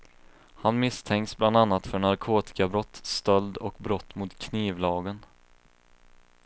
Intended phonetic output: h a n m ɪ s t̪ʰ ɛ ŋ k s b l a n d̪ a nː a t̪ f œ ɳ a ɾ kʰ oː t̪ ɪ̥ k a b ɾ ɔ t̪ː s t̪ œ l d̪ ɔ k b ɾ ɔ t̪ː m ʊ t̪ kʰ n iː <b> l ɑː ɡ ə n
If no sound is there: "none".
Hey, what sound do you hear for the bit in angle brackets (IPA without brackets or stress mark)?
v